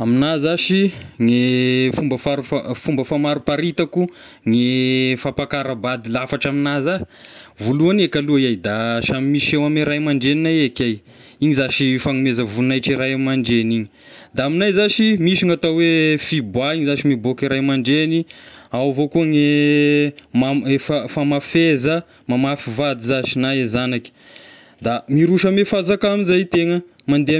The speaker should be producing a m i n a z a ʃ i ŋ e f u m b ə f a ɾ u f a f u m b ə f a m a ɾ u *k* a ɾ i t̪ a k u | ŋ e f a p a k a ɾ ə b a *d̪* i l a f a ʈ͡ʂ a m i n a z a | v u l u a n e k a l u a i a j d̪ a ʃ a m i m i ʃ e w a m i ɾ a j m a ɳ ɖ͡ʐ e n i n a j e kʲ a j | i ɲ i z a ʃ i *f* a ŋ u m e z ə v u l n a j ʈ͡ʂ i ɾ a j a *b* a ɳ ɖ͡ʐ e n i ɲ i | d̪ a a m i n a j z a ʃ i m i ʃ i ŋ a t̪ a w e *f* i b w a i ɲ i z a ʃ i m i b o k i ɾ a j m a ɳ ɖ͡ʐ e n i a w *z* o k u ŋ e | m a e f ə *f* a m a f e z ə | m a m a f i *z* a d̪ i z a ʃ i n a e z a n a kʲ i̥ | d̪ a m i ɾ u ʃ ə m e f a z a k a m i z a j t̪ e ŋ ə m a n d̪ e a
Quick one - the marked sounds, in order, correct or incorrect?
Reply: incorrect, correct, correct, incorrect, correct, incorrect, correct, incorrect

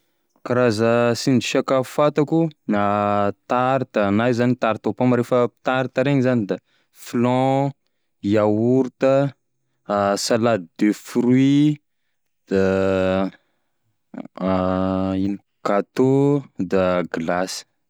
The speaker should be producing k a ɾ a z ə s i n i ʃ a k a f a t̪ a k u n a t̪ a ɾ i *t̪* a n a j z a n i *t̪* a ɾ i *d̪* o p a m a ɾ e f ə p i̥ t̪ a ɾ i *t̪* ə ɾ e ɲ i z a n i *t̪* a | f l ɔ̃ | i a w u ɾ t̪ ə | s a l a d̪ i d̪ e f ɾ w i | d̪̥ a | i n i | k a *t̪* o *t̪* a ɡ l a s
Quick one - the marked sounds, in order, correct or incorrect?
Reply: correct, correct, incorrect, correct, incorrect, correct, incorrect

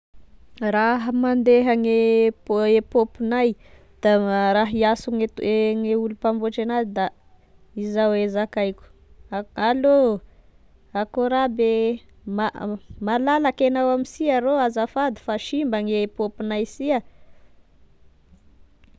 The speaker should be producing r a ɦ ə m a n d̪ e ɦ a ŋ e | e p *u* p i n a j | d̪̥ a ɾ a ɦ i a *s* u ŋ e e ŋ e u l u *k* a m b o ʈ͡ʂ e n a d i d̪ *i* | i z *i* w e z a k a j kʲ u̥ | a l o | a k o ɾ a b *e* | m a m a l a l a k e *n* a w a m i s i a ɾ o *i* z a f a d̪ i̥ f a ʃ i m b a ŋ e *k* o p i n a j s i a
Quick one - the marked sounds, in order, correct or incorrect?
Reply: incorrect, correct, incorrect, incorrect, incorrect, correct, correct, incorrect, incorrect

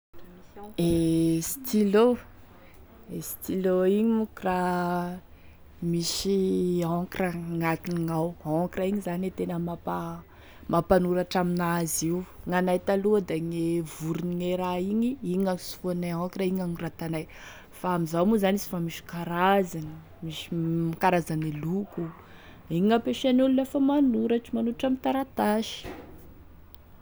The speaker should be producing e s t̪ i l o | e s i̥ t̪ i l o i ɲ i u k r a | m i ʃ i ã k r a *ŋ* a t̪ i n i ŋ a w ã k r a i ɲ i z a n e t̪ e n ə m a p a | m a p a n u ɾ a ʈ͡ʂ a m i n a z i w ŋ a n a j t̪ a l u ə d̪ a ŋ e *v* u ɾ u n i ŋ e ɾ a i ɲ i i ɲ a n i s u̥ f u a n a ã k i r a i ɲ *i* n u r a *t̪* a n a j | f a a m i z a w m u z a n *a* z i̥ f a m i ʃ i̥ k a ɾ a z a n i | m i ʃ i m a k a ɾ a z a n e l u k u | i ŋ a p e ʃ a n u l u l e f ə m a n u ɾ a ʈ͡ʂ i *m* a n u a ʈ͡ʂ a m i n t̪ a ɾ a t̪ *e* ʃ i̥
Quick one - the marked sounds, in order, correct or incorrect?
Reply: correct, correct, incorrect, correct, incorrect, correct, incorrect

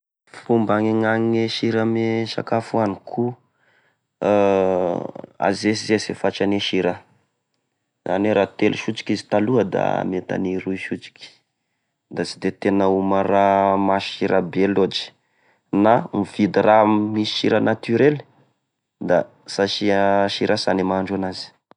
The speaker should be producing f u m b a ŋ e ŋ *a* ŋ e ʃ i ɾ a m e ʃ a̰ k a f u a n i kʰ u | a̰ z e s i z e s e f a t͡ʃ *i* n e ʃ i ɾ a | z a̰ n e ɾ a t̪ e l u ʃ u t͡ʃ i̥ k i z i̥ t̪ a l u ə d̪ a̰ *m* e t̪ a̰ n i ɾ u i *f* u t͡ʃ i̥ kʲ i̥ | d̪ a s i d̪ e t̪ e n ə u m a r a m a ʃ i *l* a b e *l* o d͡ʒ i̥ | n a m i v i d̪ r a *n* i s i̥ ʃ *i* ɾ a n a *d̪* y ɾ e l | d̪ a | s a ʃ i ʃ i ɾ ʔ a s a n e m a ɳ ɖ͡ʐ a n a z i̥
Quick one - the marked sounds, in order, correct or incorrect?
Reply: correct, incorrect, correct, incorrect, incorrect, correct, incorrect, correct, incorrect

